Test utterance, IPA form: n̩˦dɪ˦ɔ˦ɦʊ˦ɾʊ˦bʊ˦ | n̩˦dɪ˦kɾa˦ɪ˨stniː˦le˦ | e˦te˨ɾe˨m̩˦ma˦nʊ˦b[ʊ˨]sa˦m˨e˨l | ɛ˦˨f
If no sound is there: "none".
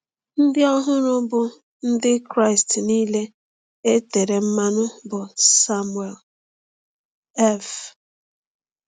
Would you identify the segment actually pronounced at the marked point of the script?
ʊ˨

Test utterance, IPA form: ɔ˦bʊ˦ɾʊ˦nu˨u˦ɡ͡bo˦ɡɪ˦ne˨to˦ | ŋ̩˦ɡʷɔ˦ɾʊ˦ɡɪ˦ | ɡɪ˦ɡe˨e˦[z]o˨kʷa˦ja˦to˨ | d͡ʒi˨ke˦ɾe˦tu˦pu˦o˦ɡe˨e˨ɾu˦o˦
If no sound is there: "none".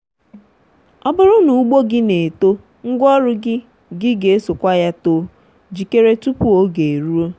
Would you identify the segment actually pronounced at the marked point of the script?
s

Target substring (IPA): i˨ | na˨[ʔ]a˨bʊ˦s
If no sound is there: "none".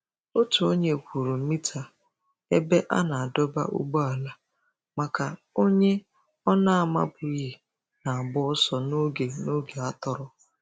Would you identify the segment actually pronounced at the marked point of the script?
none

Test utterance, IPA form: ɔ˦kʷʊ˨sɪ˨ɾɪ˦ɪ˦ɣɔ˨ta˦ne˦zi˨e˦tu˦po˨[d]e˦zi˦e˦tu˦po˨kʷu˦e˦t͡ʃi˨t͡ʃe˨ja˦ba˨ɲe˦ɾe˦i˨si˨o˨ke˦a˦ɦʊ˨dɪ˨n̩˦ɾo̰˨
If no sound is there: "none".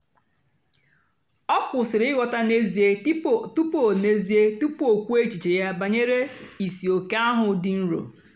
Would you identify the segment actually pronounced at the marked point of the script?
n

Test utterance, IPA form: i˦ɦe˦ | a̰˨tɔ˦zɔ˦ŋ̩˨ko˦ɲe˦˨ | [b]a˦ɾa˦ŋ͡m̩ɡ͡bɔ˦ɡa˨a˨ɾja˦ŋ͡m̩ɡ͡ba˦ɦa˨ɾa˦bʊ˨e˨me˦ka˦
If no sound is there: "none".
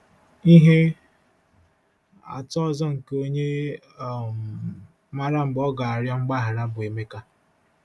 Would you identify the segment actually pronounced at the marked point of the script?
m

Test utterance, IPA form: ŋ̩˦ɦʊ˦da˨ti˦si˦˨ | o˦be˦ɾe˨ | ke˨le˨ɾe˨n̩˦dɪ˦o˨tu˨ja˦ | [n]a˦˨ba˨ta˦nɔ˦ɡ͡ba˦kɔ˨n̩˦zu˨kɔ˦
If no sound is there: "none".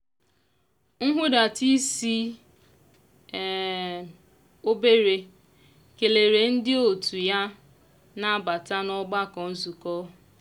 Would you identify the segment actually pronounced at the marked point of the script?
n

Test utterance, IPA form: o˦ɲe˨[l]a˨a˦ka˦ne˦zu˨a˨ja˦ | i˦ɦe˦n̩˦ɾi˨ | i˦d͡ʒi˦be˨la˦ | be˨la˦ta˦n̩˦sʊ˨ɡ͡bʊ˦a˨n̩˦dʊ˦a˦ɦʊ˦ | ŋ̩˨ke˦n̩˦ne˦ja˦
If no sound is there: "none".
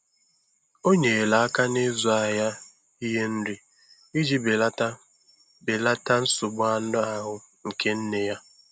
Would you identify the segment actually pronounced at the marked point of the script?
l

